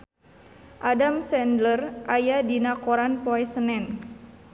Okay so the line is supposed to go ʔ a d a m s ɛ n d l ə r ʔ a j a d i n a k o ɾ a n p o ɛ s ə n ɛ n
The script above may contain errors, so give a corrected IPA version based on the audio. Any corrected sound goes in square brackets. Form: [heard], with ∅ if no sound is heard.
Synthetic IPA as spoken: ʔ a d a m s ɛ n d l ə r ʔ a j a d i n a k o ɾ a n p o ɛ s ə n ɛ n